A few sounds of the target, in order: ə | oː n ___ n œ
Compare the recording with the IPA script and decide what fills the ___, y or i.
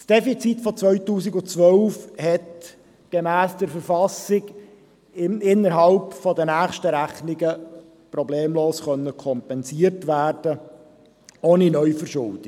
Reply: i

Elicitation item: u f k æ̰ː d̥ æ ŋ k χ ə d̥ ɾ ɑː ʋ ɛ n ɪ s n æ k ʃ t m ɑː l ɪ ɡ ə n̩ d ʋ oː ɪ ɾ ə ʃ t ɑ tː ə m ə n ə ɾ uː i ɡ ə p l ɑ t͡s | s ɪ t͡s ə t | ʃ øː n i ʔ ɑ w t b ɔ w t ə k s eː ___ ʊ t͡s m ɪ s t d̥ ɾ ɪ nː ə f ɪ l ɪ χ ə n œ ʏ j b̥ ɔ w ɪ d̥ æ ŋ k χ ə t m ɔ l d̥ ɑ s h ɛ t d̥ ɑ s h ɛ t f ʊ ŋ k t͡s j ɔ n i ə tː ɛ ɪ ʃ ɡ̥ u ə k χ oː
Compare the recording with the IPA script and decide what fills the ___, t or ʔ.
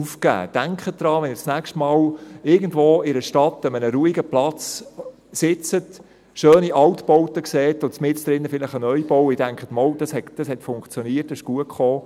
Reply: t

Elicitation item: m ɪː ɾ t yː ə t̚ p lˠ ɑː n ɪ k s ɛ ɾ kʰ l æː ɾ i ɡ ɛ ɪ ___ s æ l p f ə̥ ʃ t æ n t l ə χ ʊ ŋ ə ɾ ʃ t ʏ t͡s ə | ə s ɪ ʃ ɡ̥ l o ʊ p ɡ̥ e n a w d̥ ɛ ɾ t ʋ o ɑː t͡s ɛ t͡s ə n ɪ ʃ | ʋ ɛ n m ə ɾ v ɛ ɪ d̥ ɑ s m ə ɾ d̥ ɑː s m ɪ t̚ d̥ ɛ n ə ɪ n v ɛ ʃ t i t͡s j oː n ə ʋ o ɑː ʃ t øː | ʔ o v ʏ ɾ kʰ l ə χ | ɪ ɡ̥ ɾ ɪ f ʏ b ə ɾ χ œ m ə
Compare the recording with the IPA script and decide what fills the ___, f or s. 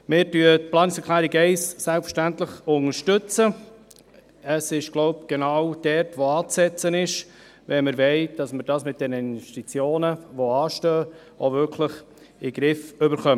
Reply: s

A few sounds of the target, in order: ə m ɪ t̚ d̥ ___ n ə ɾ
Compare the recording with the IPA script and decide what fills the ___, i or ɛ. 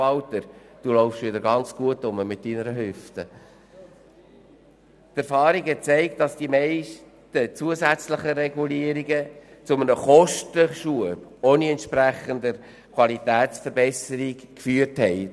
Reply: i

